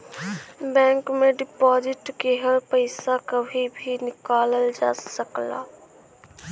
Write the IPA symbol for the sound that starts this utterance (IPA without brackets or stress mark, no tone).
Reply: b